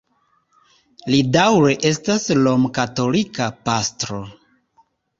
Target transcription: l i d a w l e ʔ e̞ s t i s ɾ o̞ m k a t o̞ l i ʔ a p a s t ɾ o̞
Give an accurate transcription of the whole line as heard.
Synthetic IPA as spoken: l i d a w ɾ e ʔ e̞ s t a s l o̞ m k a t o̞ l i k a p a s t ɾ o̞